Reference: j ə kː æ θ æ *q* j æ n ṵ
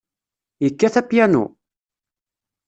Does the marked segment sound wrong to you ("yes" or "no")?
yes